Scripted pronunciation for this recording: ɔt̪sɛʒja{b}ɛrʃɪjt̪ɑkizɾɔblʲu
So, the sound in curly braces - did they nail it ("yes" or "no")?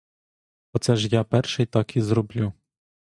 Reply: no